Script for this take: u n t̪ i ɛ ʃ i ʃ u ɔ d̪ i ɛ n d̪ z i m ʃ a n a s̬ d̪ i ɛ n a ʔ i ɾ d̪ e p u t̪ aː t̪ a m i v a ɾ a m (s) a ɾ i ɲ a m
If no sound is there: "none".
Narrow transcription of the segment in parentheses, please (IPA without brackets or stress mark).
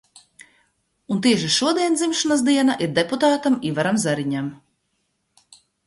z